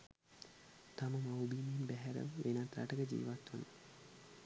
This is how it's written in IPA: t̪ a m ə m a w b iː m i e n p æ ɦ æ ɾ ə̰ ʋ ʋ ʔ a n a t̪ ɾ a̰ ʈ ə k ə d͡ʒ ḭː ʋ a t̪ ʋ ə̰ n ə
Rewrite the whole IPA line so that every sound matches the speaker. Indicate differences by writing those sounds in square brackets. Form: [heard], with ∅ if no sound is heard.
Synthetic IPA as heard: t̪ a m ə m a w b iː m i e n [b] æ ɦ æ ɾ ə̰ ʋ ʋ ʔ [e] n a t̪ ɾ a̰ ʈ ə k ə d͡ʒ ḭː ʋ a t̪ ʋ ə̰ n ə